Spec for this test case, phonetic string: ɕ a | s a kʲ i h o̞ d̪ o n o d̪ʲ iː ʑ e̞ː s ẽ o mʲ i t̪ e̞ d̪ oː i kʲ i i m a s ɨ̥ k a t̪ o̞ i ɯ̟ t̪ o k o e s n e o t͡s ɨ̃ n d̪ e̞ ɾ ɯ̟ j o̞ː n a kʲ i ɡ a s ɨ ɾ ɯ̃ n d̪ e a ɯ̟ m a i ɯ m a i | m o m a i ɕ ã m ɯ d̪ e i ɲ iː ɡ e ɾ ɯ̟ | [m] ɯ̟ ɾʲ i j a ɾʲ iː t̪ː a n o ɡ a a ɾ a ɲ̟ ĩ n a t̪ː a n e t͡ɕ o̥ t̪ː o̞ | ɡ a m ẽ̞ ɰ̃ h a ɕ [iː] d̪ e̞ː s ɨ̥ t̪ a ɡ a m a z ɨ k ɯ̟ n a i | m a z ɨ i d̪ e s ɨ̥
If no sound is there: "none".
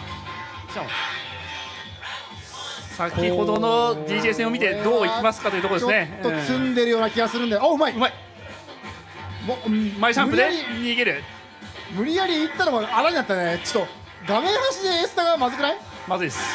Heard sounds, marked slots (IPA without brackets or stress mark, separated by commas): m, i